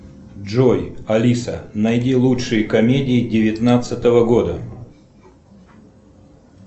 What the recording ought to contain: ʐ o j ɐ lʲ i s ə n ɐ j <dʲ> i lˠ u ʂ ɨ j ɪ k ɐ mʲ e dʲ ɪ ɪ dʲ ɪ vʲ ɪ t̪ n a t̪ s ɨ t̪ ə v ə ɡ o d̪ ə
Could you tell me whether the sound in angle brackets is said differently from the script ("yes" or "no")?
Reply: no